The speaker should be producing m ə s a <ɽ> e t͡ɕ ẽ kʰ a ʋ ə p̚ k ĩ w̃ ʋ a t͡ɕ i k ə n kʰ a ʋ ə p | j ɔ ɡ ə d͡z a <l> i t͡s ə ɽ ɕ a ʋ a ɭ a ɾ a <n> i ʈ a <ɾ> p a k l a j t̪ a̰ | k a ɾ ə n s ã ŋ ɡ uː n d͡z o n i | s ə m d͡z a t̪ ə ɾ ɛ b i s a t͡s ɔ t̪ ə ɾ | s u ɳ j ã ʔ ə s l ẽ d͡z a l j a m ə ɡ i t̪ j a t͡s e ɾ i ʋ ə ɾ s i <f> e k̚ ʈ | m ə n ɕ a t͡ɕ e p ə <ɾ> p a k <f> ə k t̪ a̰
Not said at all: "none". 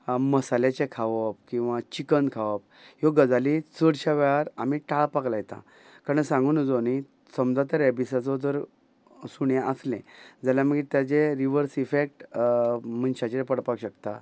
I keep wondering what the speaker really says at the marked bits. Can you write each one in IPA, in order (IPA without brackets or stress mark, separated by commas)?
l, l, m, ɭ, f, ɽ, ɕ